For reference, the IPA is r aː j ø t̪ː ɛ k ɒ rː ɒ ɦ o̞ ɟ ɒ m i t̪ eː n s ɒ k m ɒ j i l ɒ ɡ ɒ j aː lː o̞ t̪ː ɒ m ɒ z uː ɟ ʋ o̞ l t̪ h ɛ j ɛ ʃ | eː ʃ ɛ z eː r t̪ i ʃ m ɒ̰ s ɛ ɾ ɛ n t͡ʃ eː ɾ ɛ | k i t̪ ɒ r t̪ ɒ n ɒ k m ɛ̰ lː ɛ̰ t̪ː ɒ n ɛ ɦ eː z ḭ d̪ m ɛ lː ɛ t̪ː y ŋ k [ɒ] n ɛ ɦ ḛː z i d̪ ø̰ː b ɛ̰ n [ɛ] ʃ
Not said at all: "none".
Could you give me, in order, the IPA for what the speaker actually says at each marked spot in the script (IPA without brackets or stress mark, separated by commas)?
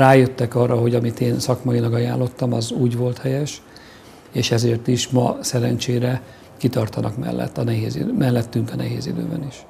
ɒ, i